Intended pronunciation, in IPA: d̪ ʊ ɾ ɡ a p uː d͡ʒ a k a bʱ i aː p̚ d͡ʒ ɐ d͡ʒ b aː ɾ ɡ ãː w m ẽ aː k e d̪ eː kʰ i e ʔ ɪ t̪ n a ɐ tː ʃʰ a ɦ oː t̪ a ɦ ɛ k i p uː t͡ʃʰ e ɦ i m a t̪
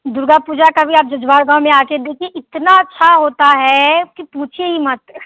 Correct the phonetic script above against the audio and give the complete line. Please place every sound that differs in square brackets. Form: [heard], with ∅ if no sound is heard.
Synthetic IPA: d̪ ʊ ɾ ɡ a p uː d͡ʒ a k a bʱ i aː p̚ d͡ʒ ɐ d͡ʒ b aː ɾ ɡ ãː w m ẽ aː k e d̪ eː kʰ i e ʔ ɪ t̪ n a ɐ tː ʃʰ a ɦ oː t̪ a ɦ ɛ k i p uː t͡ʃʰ e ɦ i m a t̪